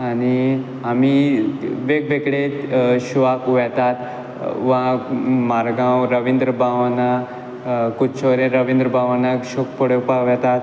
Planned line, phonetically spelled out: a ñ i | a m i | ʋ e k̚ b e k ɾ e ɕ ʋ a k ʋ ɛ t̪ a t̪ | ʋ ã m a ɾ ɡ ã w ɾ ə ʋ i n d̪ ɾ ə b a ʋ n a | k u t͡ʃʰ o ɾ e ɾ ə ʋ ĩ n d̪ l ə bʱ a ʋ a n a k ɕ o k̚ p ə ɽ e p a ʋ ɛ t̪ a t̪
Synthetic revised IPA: a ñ i | a m i | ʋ e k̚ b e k ɽ e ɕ ʋ a k ʋ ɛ t̪ a t̪ | ʋ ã m a ɾ ɡ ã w ɾ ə ʋ i n d̪ ɾ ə b a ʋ n a | k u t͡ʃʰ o ɾ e ɾ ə ʋ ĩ n d̪ ɾ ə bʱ a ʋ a n a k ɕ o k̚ p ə ɽ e p a ʋ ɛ t̪ a t̪

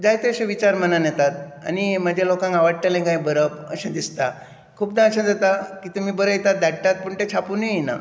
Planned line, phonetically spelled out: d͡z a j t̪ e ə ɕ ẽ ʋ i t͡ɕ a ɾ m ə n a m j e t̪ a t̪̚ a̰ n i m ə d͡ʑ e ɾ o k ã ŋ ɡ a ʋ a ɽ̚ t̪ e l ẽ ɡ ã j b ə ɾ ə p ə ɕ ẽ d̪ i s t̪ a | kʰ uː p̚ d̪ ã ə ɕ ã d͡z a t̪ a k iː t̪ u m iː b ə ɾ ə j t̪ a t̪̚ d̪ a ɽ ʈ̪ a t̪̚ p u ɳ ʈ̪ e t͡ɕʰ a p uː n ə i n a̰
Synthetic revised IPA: d͡z a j t̪ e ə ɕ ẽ ʋ i t͡ɕ a ɾ m ə n a n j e t̪ a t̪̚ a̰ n i m ə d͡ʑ e l o k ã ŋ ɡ a ʋ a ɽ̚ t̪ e l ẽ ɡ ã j b ə ɾ ə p ə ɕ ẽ d̪ i s t̪ a | kʰ uː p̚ d̪ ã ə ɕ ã d͡z a t̪ a k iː t̪ u m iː b ə ɾ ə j t̪ a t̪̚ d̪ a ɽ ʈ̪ a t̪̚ p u ɳ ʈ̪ e t͡ɕʰ a p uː n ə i n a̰

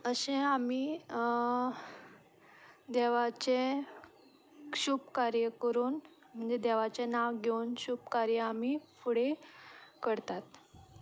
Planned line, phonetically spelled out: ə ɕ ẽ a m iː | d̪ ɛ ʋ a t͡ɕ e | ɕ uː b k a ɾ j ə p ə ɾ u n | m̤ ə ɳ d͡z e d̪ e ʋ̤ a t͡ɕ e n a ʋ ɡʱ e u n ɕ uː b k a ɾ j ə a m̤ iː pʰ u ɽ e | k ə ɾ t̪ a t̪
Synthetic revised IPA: ə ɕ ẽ a m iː | d̪ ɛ ʋ a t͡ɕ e | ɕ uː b k a ɾ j ə k ə ɾ uː n | m̤ ə ɳ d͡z e d̪ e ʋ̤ a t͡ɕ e n a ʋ ɡʱ e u n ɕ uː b k a ɾ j ə a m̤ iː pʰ u ɽ e | k ə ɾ t̪ a t̪

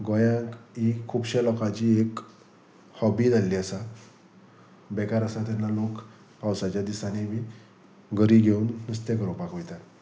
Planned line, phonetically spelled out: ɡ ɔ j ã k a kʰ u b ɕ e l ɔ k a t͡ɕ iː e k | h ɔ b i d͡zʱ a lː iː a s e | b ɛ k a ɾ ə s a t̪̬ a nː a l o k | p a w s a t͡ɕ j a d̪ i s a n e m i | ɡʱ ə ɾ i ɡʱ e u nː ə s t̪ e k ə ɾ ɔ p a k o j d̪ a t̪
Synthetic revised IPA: ɡ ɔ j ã k i kʰ u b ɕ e l ɔ k a t͡ɕ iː e k | h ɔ b i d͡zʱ a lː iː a s a | b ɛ k a ɾ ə s a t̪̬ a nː a l o k | p a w s a t͡ɕ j a d̪ i s a n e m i | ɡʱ ə ɾ i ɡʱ e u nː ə s t̪ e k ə ɾ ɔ p a k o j t̪ a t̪

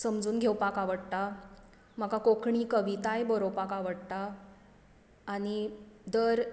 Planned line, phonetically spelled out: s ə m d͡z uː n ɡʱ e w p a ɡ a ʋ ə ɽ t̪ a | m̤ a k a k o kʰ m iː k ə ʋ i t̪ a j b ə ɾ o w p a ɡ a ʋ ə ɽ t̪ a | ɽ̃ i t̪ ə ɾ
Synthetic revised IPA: s ə m d͡z uː n ɡʱ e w p a k a ʋ ə ɽ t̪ a | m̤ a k a k o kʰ ɳ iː k ə ʋ i t̪ a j b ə ɾ o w p a k a ʋ ə ɽ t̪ a | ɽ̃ i d̪ ə ɾ

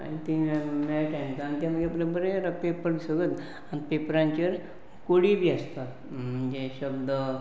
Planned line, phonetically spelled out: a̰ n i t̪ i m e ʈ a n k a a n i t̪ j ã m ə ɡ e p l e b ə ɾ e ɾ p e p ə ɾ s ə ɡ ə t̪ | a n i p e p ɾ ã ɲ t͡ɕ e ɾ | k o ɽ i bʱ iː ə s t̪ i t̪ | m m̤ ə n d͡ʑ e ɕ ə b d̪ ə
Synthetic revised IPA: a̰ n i t̪ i m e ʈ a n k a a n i t̪ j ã m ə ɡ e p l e b ə ɾ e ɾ p e p ə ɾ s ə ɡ ə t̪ | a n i p e p ɾ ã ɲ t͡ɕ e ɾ | k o ɽ i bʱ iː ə s t̪ a t̪ | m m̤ ə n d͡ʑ e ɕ ə b d̪ ə

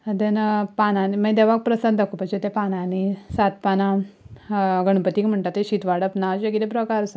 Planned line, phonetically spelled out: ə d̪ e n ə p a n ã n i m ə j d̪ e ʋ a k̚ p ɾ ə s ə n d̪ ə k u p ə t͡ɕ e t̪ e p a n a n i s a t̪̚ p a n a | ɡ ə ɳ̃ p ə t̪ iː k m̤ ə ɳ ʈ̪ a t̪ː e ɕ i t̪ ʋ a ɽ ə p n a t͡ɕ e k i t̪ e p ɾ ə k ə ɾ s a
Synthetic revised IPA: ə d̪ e n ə p a n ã n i m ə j d̪ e ʋ a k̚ p ɾ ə s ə n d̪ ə k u p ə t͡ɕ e t̪ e p a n a n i s a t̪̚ p a n a | ɡ ə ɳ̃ p ə t̪ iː k m̤ ə ɳ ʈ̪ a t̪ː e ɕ i t̪ ʋ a ɽ ə p n a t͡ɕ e k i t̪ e p ɾ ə k a ɾ s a

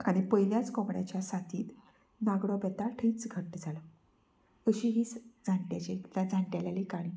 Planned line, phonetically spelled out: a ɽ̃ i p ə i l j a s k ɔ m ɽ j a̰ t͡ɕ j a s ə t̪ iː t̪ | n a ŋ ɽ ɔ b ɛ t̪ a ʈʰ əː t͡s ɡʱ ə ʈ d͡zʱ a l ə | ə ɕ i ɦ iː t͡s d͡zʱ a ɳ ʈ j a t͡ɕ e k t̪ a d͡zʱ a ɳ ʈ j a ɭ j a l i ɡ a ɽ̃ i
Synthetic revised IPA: a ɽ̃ i p ə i l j a t͡s k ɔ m ɽ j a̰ t͡ɕ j a s a t̪ iː t̪ | n a ɡ ɽ ɔ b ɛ t̪ a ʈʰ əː t͡s ɡʱ ə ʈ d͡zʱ a l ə | ə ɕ i ɦ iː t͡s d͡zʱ a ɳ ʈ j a t͡ɕ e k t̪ a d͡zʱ a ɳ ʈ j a l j a l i k a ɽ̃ i

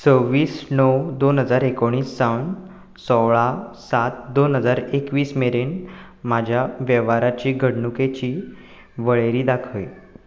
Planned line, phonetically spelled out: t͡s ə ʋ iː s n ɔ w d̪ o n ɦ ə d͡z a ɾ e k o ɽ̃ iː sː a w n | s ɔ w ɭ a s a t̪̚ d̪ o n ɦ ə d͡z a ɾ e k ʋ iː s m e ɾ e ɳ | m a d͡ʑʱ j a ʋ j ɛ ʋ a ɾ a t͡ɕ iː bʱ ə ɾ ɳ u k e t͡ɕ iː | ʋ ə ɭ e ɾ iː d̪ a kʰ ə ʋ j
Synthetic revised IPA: t͡s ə ʋ iː s n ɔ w d̪ o n ɦ ə d͡z a ɾ e k o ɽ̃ iː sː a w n | s ɔ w ɭ a s a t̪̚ d̪ o n ɦ ə d͡z a ɾ e k ʋ iː s m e ɾ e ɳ | m a d͡ʑʱ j a ʋ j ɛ ʋ a ɾ a t͡ɕ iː ɡʱ ə ɽ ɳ u k e t͡ɕ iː | ʋ ə ɭ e ɾ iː d̪ a kʰ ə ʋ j

